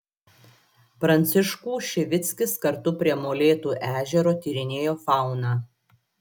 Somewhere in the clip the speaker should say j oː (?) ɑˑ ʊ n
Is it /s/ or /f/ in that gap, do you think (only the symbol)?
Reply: f